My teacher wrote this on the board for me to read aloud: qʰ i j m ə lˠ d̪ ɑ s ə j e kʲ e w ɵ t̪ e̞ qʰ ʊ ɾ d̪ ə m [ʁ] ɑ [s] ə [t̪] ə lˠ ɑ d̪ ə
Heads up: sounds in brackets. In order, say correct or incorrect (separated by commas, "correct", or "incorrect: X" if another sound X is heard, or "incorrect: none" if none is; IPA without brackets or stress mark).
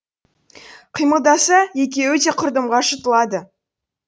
correct, incorrect: ʃ, correct